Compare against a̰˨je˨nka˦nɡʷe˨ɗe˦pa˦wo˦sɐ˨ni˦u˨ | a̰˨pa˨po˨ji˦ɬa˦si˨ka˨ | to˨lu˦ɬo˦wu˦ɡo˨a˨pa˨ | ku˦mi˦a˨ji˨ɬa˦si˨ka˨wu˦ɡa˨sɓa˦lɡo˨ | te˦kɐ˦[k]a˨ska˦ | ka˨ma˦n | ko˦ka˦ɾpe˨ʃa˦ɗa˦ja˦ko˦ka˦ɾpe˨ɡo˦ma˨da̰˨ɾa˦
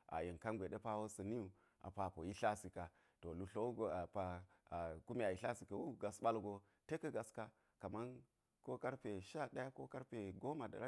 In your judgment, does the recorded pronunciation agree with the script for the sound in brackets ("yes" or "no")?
no